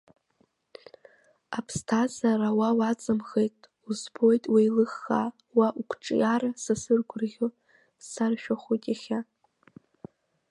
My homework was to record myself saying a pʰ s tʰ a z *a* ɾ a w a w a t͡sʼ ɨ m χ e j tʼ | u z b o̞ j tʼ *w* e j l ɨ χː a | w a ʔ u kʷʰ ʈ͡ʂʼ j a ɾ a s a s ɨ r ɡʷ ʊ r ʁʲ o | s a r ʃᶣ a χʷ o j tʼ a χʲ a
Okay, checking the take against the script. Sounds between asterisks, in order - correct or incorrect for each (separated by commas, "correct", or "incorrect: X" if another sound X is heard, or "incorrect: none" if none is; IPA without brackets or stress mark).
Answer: correct, correct